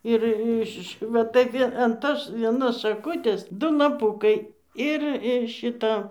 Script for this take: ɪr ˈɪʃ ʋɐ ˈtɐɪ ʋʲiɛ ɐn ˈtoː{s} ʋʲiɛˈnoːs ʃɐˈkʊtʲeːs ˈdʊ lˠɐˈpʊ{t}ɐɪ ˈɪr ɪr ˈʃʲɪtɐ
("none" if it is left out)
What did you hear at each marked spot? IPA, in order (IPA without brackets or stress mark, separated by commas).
s, k